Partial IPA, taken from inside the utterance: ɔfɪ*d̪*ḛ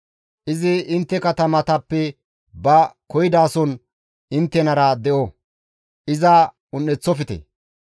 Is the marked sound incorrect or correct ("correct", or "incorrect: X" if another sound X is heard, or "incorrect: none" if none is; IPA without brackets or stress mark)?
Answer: incorrect: t̪